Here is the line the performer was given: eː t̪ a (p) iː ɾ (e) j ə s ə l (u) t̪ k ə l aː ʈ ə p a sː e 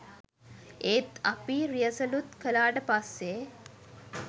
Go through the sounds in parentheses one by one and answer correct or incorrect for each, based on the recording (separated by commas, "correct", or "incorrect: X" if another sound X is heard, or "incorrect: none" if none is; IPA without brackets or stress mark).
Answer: correct, incorrect: i, correct